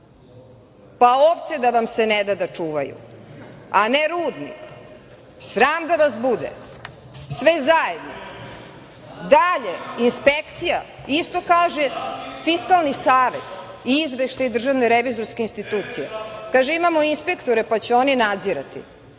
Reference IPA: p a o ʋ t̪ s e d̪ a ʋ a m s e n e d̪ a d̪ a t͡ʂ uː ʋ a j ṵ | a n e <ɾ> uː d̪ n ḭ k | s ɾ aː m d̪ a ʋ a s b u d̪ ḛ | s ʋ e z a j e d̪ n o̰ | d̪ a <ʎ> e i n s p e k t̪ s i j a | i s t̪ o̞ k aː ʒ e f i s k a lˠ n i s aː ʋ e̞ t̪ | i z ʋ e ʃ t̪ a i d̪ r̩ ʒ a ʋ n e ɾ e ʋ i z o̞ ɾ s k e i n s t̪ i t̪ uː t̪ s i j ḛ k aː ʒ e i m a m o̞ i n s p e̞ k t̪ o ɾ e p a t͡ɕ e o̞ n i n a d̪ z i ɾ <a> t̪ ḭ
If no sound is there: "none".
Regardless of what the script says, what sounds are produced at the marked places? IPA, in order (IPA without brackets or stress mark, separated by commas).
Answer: ɾ, ʎ, a